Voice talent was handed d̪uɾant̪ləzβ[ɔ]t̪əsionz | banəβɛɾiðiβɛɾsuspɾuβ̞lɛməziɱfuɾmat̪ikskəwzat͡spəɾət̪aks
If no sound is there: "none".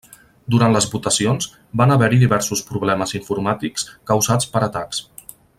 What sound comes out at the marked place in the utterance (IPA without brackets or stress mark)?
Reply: u